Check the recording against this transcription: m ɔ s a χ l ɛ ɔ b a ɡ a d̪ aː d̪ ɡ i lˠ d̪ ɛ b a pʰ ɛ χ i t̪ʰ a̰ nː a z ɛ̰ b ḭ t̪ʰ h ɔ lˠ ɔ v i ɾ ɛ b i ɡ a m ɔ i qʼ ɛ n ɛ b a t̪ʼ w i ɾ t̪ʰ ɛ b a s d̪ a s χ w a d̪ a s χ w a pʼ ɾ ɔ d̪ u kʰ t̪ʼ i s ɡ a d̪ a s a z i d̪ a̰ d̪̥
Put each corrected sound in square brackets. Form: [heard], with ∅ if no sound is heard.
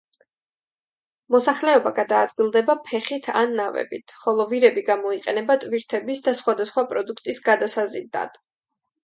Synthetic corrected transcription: m ɔ s a χ l ɛ ɔ b a ɡ a d̪ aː d̪ ɡ i lˠ d̪ ɛ b a pʰ ɛ χ i t̪ʰ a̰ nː a [v] ɛ̰ b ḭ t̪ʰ [χ] ɔ lˠ ɔ v i ɾ ɛ b i ɡ a m ɔ i qʼ ɛ n ɛ b a t̪ʼ [v] i ɾ t̪ʰ ɛ b [i] s d̪ a s χ w a d̪ a s χ w a pʼ ɾ ɔ d̪ u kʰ t̪ʼ i s ɡ a d̪ a s a z i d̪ a̰ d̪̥